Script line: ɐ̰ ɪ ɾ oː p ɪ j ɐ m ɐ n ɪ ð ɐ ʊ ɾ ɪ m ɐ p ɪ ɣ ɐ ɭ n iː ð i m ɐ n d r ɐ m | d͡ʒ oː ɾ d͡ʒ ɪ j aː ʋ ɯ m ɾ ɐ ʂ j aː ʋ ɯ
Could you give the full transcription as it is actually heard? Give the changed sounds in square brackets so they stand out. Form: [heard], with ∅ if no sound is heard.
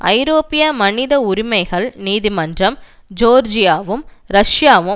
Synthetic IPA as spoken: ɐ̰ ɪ ɾ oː p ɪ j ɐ m ɐ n ɪ ð ɐ ʊ ɾ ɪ m ɐ [∅] ɪ ɣ ɐ ɭ n iː ð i m ɐ n d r ɐ m | d͡ʒ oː ɾ d͡ʒ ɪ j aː ʋ ɯ m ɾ ɐ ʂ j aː ʋ ɯ